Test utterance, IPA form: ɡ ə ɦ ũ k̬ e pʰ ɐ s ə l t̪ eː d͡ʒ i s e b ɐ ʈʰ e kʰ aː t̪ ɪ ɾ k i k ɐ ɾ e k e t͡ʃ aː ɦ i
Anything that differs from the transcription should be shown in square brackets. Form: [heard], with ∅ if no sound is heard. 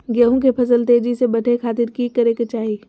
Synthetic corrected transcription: ɡ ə ɦ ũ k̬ e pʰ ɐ s ə l t̪ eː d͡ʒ i s e b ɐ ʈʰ e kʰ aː t̪ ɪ ɾ k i k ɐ ɾ e k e t͡ʃ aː ɦ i